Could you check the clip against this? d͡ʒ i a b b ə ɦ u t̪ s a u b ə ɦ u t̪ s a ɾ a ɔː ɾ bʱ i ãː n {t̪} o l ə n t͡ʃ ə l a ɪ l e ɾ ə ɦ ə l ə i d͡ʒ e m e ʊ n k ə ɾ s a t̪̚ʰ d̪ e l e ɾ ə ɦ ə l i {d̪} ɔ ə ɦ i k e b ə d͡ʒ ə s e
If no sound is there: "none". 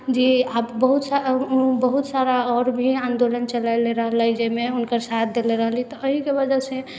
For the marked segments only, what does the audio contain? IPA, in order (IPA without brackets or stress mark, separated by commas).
d̪, t̪